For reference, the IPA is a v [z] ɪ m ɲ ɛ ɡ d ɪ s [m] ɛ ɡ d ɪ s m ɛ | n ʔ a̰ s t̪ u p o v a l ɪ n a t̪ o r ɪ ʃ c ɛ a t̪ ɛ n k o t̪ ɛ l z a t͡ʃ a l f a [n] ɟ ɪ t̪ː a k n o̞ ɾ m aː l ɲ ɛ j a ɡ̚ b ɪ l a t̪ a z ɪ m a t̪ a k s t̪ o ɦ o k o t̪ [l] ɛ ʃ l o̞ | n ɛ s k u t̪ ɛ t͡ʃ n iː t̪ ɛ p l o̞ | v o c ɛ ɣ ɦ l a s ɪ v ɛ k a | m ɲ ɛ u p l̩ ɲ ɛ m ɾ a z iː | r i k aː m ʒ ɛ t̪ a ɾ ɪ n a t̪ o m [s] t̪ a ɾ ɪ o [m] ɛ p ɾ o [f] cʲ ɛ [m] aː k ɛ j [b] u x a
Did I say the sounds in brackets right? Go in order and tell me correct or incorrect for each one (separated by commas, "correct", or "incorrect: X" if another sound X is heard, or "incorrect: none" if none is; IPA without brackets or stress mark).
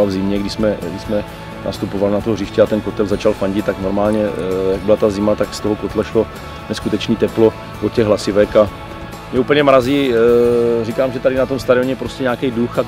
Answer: correct, correct, incorrect: ɲ, correct, correct, incorrect: ɲ, incorrect: s, incorrect: ɲ, incorrect: d